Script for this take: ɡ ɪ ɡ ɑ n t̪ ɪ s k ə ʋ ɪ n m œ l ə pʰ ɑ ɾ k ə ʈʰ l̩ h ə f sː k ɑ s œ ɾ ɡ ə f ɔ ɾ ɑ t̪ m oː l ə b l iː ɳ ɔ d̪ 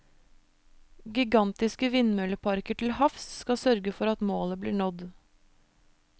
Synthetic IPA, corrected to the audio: ɡ ɪ ɡ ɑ n t̪ ɪ s k ə ʋ ɪ n m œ l ə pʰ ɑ ɾ k ə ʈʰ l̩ h ɑ f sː k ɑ s œ ɾ ɡ ə f ɔ ɾ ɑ t̪ m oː l ə b l iː ɳ ɔ d̪